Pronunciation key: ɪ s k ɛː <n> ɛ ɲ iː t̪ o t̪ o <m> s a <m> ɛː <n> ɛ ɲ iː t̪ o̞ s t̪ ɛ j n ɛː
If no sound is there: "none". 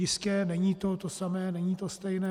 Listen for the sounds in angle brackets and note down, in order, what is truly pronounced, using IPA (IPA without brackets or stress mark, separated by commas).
n, none, m, n